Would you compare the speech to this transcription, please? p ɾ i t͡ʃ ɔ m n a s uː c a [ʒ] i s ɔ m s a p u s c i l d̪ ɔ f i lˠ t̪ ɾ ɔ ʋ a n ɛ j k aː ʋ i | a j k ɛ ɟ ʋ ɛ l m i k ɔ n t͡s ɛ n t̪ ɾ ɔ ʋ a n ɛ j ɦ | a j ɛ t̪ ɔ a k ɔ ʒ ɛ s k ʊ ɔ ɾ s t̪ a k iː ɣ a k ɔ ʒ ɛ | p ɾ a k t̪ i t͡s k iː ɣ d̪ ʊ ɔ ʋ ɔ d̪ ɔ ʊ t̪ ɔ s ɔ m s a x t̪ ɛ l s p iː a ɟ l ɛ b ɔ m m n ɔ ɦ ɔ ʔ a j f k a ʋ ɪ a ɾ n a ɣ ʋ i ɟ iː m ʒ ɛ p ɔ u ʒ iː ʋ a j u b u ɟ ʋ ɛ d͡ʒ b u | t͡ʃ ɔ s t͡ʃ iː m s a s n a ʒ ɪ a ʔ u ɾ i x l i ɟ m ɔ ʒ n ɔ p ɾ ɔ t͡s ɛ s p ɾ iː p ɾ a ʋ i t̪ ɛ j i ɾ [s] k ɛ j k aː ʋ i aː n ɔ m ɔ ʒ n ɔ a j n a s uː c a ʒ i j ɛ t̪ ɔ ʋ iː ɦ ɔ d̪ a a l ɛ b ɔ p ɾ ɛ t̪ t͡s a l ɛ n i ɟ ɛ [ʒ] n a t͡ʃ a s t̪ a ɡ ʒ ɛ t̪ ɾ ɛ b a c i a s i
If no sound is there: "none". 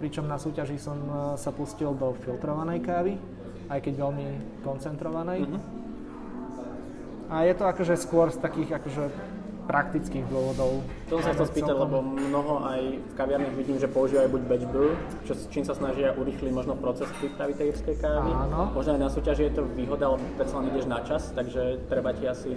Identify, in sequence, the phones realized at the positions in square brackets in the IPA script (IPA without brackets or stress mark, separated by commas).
ʒ, s, ʒ